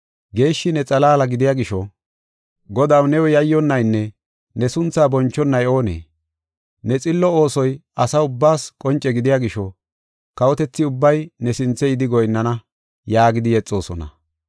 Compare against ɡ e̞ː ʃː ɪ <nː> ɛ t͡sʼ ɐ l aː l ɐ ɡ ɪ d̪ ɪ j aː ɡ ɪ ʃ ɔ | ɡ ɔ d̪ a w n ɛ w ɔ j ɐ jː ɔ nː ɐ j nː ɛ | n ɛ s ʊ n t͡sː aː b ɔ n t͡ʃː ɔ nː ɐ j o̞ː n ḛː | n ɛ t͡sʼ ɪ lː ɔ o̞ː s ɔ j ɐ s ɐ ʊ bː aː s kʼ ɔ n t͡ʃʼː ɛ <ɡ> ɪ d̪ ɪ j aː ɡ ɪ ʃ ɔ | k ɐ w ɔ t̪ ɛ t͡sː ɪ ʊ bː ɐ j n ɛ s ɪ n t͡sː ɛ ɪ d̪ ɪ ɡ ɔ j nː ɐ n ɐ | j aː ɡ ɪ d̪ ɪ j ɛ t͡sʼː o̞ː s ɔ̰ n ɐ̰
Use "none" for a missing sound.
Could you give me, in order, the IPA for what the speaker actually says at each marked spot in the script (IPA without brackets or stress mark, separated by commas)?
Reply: n, ɡ